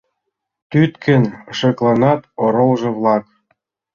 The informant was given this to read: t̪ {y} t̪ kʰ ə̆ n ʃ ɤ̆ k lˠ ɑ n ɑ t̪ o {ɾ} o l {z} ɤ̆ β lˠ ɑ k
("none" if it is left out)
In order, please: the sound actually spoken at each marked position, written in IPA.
y, ɾ, ʒ

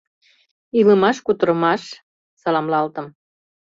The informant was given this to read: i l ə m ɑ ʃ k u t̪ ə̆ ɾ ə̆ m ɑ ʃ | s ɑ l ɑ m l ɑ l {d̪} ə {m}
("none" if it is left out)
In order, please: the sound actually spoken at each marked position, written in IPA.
t̪, m

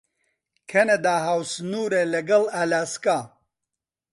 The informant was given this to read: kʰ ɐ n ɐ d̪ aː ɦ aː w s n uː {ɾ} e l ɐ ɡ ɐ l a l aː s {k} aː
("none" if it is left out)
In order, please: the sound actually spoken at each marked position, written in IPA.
ɾ, k

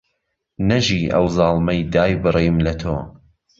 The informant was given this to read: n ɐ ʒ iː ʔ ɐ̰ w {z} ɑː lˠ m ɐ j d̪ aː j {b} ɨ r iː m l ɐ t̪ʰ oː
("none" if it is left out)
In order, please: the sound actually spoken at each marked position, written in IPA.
z, b

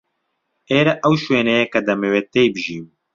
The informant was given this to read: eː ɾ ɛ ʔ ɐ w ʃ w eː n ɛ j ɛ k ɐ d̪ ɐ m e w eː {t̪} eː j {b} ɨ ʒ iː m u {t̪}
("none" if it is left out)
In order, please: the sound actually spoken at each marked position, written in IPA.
t̪, b, none

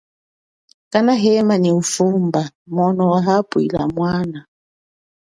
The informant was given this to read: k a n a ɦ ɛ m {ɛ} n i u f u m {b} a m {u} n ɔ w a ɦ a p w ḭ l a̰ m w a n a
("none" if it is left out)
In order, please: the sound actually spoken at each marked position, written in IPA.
a, b, ɔ

